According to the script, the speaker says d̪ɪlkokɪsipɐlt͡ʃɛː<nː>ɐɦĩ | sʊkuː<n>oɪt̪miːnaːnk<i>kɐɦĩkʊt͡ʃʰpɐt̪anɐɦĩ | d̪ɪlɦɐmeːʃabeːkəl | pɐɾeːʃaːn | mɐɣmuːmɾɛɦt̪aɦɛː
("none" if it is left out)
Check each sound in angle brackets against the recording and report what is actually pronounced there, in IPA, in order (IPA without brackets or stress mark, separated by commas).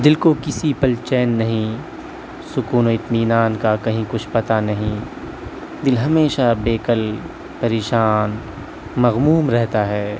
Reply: nː, n, a